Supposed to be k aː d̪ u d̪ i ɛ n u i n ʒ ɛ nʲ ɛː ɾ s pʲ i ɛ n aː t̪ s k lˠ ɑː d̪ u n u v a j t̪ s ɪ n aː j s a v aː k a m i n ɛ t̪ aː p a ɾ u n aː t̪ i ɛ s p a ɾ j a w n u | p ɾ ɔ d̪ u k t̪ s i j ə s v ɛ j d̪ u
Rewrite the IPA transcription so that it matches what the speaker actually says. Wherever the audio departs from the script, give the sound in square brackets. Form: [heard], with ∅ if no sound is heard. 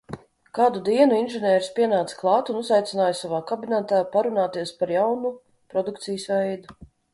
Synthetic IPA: k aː d̪ u d̪ i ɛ n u i n ʒ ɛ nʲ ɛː ɾ s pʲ i ɛ n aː t̪ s k lˠ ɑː [t̪] u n u [z] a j t̪ s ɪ n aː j s a v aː k a [b] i n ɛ t̪ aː p a ɾ u n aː t̪ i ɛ s p a ɾ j a w n u | p ɾ ɔ d̪ u k t̪ s i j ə s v ɛ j d̪ u